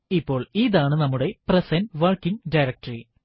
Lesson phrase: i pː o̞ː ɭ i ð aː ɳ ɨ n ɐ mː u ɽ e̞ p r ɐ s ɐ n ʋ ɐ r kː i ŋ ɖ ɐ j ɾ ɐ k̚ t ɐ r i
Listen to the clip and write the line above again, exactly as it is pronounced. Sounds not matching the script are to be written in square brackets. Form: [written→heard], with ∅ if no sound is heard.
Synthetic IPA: i pː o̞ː ɭ i ð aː ɳ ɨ n ɐ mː u ɽ e̞ p r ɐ s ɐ n ʋ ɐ r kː i ŋ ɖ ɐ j ɾ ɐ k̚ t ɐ r i